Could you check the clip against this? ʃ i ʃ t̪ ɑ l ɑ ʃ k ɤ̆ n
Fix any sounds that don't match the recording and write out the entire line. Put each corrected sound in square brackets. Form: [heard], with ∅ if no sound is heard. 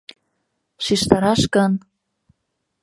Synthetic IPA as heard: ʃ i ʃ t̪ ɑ [ɾ] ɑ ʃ k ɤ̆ n